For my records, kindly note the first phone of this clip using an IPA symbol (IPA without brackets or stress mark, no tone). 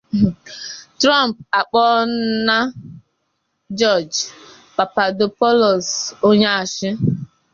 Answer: t